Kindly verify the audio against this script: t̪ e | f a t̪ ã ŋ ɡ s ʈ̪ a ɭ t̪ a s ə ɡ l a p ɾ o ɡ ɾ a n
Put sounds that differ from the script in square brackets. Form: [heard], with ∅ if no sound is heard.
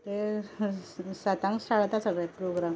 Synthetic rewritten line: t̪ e | [s] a t̪ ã ŋ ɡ s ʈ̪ a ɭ t̪ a s ə ɡ [ɭ] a p ɾ o ɡ ɾ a [m]

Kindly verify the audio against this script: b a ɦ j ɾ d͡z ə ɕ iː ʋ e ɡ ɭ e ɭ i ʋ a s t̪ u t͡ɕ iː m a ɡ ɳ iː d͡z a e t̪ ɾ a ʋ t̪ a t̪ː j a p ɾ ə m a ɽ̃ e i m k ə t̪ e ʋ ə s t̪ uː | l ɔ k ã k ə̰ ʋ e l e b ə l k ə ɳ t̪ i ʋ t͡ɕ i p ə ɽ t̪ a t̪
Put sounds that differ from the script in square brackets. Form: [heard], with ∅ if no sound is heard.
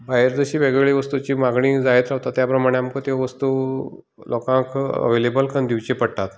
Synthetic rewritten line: b a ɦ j ɾ d͡z ə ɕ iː ʋ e ɡ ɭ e ɭ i ʋ [ə] s t̪ u t͡ɕ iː m a ɡ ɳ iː d͡z a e t̪ ɾ a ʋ t̪ a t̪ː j a p ɾ ə m a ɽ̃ e [a] m k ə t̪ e ʋ ə s t̪ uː | l ɔ k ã k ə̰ ʋ e l e b ə l k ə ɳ [d̪] i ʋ t͡ɕ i p ə ɽ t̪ a t̪

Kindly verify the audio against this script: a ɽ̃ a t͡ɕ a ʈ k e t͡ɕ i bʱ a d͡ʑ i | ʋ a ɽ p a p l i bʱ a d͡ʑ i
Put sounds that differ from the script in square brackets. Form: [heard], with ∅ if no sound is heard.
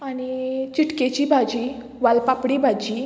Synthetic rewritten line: a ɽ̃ [i] t͡ɕ [i] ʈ k e t͡ɕ i bʱ a d͡ʑ i | ʋ a [l] p a p [ɽ] i bʱ a d͡ʑ i

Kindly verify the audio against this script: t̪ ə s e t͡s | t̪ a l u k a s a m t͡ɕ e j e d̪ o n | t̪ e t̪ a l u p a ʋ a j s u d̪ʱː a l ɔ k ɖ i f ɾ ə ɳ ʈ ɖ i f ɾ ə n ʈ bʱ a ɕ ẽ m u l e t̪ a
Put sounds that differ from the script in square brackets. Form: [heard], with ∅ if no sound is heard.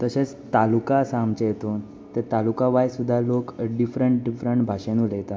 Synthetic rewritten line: t̪ ə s e t͡s | t̪ a l u k a s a m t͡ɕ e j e [t̪] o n | t̪ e t̪ a l u [k] a ʋ a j s u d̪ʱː a l [o] k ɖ i f ɾ ə ɳ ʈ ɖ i f ɾ ə [ɳ] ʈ bʱ a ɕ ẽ [n] u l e t̪ a

